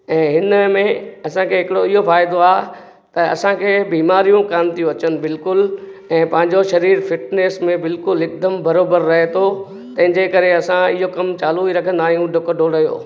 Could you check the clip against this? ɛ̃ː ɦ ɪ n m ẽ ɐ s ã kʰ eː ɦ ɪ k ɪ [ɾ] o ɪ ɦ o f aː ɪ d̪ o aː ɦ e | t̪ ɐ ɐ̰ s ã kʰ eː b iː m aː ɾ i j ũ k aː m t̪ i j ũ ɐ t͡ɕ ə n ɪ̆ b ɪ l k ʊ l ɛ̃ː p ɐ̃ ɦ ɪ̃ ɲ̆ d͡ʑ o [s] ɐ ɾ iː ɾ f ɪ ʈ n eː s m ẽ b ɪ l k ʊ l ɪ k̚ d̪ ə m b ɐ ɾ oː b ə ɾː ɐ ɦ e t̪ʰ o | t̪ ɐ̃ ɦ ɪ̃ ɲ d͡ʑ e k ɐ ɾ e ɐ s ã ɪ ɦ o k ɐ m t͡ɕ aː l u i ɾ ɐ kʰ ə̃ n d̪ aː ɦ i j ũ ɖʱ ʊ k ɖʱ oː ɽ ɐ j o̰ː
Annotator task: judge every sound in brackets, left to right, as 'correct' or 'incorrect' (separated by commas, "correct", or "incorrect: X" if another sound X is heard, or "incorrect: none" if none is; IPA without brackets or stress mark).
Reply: incorrect: ɽ, incorrect: ʃ